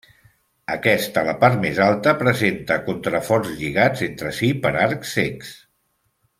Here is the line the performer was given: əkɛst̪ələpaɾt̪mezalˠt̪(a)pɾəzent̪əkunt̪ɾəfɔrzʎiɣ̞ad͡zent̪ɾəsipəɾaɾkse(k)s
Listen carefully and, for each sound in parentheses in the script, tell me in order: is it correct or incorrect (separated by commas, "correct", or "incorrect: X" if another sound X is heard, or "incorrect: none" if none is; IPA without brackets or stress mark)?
incorrect: ə, correct